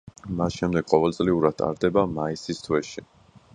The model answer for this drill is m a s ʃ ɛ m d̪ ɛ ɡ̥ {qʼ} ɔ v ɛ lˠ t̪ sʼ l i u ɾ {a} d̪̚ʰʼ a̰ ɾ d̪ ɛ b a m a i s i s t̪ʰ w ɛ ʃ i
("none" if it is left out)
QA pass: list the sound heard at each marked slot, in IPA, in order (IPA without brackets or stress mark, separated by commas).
qʼ, a